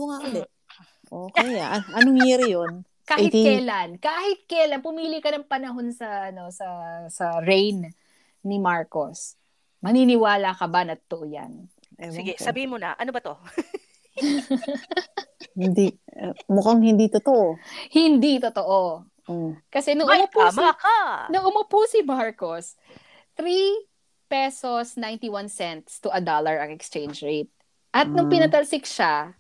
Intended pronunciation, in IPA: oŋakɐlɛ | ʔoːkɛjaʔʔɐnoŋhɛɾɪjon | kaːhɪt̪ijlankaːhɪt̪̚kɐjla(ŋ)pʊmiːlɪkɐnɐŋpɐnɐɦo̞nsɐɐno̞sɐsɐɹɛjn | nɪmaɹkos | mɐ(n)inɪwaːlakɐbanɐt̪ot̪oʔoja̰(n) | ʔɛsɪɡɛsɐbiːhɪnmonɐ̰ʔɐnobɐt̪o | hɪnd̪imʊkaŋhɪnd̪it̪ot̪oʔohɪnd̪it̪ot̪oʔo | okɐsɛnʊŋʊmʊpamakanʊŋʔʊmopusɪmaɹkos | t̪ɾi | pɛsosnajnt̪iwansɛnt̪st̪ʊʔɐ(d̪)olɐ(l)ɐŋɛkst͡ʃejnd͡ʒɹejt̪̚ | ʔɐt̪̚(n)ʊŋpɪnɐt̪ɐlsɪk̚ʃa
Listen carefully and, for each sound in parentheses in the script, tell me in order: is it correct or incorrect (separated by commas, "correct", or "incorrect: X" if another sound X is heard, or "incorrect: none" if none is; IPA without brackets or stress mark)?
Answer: incorrect: n, correct, correct, correct, incorrect: ɹ, correct